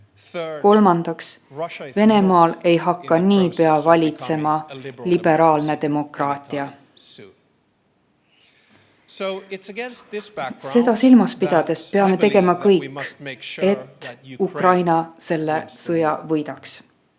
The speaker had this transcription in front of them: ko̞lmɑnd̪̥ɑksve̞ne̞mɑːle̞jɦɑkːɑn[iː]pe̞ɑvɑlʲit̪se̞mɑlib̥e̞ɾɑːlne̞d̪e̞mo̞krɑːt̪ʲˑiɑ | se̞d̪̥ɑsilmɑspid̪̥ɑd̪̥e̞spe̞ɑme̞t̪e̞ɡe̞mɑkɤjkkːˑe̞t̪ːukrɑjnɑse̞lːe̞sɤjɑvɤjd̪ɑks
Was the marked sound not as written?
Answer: no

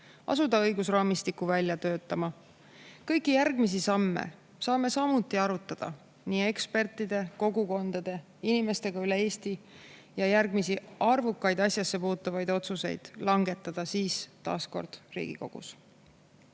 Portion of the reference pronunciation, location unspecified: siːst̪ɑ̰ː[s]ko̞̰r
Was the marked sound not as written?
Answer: no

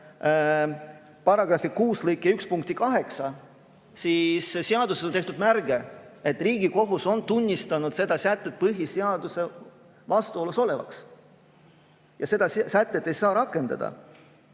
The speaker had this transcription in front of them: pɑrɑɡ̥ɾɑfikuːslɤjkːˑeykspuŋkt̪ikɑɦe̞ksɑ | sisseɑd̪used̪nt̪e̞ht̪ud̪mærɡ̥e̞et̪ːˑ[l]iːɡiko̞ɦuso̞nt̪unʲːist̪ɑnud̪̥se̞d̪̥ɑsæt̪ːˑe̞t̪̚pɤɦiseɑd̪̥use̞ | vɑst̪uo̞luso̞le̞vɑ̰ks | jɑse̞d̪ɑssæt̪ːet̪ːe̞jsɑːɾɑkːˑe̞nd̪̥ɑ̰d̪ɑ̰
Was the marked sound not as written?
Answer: yes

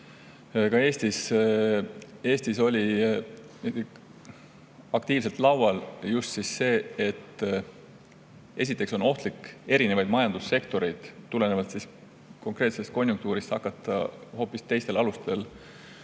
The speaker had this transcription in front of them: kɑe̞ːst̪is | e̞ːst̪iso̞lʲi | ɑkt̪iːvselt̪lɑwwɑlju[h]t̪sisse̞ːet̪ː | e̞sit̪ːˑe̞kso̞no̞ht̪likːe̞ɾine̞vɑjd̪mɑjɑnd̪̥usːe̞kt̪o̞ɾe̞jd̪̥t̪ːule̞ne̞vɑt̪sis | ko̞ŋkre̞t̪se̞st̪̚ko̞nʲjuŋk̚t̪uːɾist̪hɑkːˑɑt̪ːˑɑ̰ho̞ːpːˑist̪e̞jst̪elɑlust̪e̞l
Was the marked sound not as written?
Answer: yes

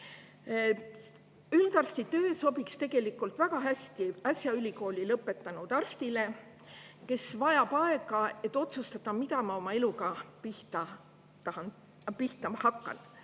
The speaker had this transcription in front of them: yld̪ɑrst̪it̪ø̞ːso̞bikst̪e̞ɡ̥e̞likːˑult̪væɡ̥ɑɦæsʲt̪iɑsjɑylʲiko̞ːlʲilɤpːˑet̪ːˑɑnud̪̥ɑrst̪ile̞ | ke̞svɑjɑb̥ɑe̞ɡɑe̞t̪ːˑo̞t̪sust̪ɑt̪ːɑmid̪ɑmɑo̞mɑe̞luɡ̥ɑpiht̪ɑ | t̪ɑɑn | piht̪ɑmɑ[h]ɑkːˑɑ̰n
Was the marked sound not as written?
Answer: no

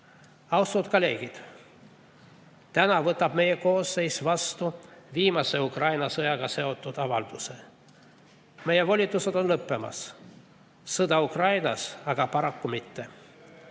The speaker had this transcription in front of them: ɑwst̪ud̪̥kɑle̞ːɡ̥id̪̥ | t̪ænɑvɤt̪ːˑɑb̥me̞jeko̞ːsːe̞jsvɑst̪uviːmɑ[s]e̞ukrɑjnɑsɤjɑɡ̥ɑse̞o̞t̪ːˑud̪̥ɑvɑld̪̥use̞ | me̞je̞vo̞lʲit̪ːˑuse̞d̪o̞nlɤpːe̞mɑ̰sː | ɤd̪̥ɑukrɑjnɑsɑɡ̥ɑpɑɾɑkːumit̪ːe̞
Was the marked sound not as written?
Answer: no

